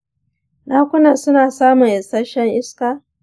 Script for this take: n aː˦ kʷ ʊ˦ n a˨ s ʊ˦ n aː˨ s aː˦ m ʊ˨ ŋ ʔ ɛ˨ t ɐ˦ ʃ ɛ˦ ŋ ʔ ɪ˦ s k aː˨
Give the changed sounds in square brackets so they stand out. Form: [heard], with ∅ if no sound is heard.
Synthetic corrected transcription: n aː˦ kʷ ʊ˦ n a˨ s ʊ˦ n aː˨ s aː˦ m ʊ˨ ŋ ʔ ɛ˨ [s] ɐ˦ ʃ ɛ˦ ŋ ʔ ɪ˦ s k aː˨